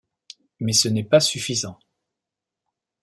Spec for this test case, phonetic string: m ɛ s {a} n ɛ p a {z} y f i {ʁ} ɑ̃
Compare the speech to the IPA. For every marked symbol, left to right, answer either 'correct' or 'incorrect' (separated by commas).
incorrect, incorrect, incorrect